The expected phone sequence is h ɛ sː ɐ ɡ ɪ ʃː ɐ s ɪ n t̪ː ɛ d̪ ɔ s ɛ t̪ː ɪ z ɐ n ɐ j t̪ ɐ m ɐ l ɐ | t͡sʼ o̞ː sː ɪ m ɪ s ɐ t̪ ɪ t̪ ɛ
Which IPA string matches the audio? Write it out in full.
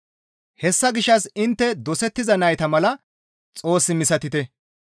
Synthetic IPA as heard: h ɛ sː ɐ ɡ ɪ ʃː ɐ s ɪ n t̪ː ɛ d̪ ɔ s ɛ t̪ː ɪ z ɐ n ɐ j t̪ ɐ m ɐ l ɐ | t͡sʼ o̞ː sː ɪ m ɪ s ɐ t̪ ɪ t̪ ɛ